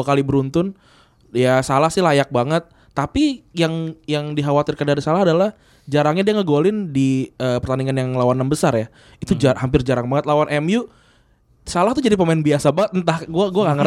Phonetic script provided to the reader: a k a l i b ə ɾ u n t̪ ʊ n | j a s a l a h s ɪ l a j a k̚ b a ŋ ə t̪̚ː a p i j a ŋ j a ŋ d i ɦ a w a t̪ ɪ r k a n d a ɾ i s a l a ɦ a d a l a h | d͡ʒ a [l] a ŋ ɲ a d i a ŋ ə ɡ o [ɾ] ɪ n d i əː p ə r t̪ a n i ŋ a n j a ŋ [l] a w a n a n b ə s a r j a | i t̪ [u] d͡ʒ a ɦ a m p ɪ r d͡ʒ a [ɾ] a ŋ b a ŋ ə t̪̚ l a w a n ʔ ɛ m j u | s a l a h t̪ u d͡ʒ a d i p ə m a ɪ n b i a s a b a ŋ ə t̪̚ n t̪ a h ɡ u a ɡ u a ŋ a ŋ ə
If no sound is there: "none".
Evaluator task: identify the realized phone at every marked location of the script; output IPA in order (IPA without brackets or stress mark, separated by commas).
ɾ, l, l, u, ɾ